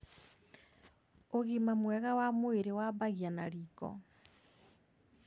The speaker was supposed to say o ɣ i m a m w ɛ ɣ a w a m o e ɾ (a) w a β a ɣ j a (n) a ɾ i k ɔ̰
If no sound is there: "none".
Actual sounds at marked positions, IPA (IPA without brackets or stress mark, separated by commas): e, n